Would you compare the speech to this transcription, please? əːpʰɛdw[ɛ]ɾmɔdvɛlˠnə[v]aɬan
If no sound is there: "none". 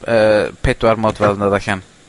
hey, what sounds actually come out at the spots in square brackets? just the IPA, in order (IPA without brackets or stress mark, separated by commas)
a, ð